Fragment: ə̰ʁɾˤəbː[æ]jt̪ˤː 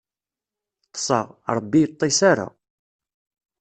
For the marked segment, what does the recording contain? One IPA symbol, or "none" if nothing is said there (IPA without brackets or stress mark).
i